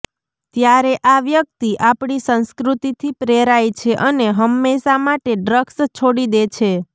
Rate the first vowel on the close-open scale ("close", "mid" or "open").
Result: open